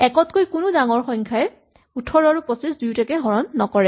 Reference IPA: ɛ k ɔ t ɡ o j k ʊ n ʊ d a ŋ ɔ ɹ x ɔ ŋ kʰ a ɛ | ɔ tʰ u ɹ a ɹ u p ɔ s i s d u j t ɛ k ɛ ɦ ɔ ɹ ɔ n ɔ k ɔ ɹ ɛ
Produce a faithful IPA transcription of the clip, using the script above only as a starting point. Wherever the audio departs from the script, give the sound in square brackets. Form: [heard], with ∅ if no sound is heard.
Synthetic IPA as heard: ɛ k ɔ t [k] o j k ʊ n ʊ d a ŋ ɔ ɹ x ɔ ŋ kʰ a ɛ | [u] tʰ [ɔ] ɹ a ɹ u p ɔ s i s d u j t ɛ k ɛ ɦ ɔ ɹ ɔ [nː] ɔ k ɔ ɹ ɛ